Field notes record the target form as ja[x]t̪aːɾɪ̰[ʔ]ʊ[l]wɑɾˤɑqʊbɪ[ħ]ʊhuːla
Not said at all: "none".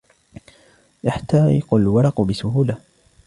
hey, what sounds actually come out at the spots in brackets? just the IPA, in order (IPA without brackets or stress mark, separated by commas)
ħ, q, l, s